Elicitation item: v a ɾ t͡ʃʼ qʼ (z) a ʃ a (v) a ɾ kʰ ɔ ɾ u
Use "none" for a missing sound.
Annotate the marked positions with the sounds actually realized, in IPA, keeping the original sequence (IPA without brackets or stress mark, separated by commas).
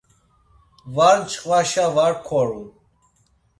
v, v